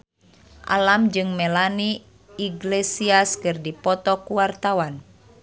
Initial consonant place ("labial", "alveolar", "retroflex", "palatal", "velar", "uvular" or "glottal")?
glottal